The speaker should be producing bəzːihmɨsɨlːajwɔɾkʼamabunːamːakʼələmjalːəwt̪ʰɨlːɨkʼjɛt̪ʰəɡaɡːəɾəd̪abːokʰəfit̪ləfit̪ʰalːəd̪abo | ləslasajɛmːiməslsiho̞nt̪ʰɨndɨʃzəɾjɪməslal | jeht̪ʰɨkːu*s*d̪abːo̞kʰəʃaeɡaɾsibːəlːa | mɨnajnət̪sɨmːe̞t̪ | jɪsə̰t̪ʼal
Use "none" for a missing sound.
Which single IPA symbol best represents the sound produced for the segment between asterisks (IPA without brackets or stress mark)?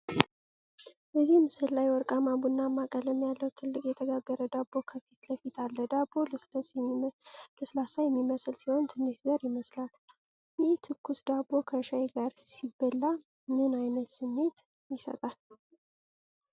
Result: s